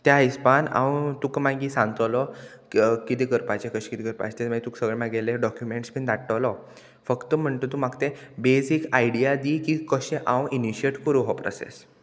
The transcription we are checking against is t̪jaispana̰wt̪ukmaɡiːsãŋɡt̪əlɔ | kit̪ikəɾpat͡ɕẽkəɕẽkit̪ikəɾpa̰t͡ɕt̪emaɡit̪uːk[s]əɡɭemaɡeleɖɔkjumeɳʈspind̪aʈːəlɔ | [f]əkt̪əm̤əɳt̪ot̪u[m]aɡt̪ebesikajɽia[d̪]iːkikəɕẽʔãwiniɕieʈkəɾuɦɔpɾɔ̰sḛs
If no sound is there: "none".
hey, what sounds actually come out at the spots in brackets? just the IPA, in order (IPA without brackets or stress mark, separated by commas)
s, f, m, d̪